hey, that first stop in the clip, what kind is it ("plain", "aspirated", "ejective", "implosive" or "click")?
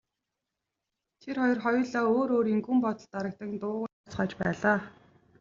aspirated